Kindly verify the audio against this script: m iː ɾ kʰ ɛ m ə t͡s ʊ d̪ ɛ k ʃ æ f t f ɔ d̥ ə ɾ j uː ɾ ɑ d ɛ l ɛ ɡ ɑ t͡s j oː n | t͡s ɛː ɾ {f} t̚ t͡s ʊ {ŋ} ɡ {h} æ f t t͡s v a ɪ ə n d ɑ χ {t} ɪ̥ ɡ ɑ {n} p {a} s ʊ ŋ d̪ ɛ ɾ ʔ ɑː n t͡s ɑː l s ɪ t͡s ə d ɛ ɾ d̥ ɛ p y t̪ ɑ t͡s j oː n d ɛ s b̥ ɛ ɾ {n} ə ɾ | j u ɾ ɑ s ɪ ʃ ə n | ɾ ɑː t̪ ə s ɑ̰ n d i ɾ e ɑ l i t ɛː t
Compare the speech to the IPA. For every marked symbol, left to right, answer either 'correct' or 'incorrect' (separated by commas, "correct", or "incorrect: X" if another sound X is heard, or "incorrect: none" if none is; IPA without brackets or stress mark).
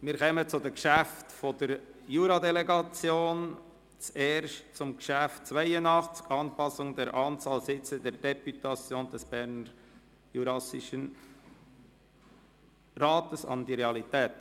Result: incorrect: ʃ, incorrect: m, incorrect: ʃ, incorrect: t͡s, correct, incorrect: ɑ, correct